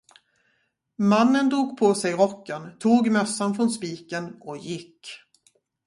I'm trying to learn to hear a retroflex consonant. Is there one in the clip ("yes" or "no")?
no